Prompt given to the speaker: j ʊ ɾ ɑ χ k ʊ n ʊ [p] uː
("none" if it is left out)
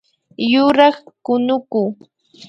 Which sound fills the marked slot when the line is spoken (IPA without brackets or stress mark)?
k